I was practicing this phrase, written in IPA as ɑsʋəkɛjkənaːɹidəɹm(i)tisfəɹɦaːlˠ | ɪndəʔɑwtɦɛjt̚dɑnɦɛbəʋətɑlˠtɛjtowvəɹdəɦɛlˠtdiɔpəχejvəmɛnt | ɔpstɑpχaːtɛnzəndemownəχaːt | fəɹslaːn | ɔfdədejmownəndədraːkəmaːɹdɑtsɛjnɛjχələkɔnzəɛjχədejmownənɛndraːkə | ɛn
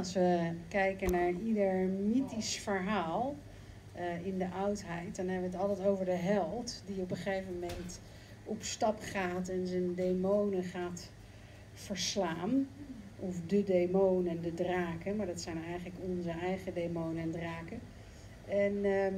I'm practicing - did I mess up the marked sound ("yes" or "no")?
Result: no